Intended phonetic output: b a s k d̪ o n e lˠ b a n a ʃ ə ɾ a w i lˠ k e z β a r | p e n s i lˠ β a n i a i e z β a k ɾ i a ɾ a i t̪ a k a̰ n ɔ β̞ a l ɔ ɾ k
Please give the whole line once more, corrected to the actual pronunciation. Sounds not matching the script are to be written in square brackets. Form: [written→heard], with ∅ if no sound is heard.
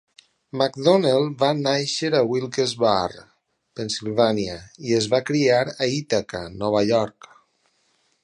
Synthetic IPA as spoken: [b→m] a [s→∅] k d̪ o n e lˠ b a n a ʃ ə ɾ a w i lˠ k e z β a r | p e n s i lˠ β a n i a i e z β a k ɾ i a ɾ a i t̪ a k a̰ n ɔ β̞ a [l→ʎ] ɔ ɾ k